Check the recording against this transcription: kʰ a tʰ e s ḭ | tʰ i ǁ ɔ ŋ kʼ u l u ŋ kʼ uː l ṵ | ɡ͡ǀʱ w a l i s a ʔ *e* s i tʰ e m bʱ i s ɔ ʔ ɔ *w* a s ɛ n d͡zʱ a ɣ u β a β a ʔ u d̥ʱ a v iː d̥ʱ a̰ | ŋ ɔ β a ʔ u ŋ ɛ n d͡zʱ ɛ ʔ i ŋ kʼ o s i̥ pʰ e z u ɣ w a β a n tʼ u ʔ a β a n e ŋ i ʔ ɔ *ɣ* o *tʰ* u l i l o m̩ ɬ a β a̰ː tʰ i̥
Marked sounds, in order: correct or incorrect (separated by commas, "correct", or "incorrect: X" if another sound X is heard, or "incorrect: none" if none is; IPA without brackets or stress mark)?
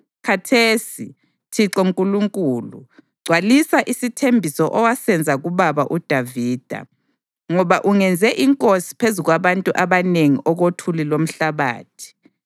incorrect: i, correct, correct, correct